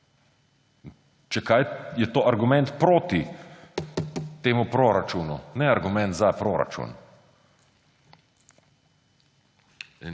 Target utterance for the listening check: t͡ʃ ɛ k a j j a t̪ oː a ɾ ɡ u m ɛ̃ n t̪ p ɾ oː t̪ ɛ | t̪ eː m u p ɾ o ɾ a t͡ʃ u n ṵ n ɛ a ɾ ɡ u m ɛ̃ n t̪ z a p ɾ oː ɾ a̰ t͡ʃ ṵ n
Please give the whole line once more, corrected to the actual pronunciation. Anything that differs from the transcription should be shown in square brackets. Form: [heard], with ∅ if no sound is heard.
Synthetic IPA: t͡ʃ ɛ k a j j [ɛ] t̪ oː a ɾ ɡ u m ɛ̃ n t̪ p ɾ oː t̪ [i] | t̪ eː m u p ɾ o ɾ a t͡ʃ u n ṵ n ɛ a ɾ ɡ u m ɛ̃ n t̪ z a p ɾ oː ɾ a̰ t͡ʃ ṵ n